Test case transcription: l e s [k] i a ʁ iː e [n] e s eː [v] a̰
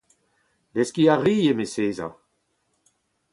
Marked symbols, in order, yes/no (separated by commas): yes, no, no